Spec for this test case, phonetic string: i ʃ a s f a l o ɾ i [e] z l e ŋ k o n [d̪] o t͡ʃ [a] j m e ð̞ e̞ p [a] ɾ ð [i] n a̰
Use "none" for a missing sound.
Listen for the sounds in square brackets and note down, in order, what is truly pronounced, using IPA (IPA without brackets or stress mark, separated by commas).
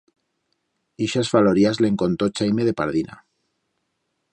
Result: a, t̪, a, a, i